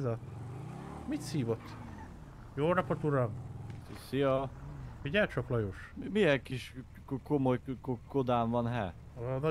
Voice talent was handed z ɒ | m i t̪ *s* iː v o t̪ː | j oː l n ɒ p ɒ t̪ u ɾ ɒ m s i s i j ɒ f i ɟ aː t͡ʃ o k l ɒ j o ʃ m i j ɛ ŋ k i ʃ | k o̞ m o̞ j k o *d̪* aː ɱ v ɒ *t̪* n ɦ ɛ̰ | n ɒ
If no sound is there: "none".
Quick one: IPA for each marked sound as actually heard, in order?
s, d̪, none

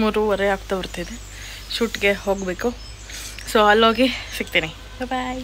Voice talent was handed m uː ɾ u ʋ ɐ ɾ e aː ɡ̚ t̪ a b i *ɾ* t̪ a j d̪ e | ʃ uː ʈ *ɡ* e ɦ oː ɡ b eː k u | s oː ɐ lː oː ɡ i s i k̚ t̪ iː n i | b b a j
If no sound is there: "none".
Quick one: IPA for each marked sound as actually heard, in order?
ɾ, ɡ

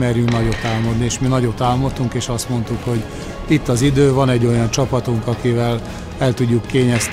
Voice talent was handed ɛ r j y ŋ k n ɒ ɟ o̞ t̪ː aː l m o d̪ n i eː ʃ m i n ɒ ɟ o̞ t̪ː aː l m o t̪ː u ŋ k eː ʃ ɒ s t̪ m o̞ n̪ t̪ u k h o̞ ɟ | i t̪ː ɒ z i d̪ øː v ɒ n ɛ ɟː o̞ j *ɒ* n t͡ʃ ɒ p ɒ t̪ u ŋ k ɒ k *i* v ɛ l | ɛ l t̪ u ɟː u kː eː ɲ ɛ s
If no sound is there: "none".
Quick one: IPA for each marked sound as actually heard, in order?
ɒ, i

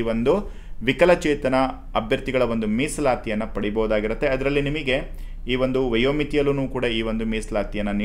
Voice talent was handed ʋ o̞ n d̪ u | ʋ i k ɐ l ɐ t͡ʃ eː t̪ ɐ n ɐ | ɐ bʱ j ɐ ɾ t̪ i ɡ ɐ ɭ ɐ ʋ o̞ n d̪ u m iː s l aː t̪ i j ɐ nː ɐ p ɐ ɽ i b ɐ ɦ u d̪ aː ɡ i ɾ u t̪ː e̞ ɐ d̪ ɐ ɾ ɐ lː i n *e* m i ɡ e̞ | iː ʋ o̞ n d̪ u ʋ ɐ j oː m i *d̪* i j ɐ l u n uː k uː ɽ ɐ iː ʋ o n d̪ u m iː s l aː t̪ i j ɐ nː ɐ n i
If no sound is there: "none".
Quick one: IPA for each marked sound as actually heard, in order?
i, t̪

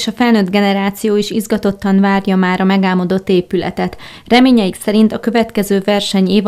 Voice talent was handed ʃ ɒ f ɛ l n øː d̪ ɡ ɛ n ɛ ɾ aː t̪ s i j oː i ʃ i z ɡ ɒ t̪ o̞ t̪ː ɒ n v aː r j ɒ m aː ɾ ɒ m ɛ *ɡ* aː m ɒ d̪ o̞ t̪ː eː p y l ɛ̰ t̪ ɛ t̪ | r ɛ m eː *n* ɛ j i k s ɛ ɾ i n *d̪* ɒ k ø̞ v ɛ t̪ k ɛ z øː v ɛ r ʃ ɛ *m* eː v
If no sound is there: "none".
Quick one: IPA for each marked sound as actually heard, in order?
ɡ, ɲ, t̪, ɲ

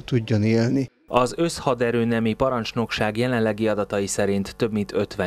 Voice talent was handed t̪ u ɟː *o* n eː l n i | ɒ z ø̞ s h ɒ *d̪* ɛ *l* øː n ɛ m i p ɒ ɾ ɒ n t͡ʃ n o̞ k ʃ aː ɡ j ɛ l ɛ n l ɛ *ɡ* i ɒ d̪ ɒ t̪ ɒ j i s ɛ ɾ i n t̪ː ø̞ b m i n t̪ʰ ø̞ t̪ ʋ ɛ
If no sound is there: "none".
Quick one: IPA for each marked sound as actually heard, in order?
o, d̪, ɾ, ɡ

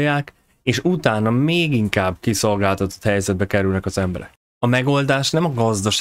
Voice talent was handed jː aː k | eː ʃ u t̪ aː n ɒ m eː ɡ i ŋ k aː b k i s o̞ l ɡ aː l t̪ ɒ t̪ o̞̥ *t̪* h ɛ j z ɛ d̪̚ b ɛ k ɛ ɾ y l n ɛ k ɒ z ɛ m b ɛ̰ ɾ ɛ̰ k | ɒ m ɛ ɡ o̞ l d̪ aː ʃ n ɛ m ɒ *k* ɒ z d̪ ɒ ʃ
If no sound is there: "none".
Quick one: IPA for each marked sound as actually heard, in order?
t̪, ɡ

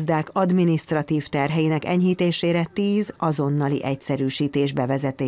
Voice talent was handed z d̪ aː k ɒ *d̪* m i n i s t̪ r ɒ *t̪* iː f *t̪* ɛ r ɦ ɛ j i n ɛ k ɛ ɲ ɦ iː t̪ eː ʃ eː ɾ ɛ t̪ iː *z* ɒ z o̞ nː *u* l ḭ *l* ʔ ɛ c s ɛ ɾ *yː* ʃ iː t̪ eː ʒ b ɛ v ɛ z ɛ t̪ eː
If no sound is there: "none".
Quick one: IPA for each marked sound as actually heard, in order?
d̪, t̪, t̪, z, ɒ, none, yː

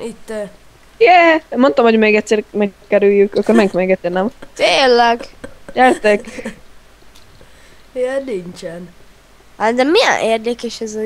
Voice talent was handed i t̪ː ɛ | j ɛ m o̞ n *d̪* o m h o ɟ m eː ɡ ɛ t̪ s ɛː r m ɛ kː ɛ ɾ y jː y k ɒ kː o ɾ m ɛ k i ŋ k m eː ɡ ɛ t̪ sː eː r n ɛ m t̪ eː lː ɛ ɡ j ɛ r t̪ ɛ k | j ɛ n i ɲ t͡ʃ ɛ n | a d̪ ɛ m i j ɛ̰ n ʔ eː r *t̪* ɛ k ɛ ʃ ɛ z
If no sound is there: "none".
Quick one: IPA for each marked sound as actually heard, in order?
t̪, d̪

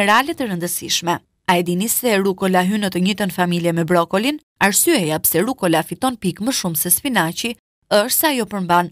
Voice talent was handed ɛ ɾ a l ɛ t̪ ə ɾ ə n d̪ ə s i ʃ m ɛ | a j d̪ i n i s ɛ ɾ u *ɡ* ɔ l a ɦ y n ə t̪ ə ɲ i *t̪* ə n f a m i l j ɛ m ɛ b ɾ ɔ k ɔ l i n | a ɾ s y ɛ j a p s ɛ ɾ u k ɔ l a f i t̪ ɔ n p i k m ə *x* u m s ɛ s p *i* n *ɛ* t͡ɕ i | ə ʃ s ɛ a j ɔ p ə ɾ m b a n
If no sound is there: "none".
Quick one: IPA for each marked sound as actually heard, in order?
k, t̪, ʃ, i, a

